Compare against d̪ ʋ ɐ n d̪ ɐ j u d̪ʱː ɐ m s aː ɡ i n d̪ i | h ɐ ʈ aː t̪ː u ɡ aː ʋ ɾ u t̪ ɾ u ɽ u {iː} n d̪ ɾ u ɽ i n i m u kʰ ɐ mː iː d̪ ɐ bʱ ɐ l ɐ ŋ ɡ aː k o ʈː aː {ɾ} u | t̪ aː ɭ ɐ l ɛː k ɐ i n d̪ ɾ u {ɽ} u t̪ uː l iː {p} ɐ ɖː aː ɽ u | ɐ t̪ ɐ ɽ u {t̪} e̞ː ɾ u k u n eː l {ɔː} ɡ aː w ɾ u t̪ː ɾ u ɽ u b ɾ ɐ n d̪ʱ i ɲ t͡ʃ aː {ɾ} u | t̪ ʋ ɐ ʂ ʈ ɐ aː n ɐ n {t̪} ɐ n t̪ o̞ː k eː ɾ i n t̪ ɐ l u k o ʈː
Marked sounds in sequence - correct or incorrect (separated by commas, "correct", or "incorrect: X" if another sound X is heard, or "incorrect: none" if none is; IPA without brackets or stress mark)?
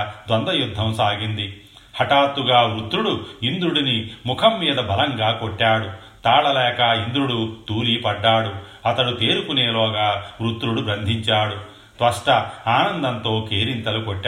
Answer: incorrect: i, incorrect: ɽ, correct, correct, correct, correct, incorrect: ɽ, incorrect: d̪